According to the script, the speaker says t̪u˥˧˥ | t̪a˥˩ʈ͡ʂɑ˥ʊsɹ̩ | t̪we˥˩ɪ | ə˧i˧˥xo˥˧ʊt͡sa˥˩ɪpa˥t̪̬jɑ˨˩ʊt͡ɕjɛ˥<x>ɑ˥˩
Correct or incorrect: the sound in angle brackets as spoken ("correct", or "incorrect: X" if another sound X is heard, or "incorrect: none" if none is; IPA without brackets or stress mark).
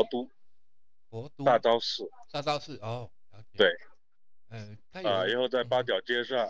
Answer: incorrect: ʂ